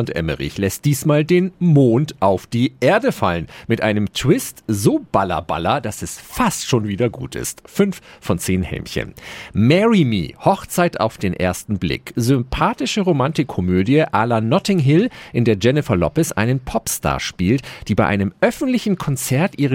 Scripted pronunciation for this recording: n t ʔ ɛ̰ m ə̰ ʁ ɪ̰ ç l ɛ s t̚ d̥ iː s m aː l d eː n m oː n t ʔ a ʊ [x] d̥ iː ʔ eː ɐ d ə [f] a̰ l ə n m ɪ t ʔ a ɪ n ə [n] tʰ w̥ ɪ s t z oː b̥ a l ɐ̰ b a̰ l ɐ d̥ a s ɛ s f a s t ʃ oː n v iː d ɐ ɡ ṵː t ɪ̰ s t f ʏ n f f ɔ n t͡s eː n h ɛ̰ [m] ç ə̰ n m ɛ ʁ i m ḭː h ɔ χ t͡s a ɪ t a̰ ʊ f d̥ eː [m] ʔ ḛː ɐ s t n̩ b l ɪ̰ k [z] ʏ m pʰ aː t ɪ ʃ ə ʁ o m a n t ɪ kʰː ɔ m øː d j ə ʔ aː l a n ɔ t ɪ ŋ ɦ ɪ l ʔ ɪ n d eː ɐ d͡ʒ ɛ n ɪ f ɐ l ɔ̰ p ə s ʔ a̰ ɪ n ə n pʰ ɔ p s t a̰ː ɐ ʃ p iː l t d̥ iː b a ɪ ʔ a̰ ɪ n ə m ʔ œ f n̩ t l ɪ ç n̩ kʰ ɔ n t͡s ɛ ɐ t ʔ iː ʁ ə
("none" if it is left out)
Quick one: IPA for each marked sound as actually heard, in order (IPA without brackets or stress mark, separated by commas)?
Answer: f, f, m, m, n, z